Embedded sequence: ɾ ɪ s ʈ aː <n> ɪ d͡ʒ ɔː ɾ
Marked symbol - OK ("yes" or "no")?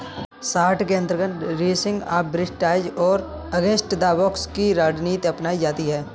no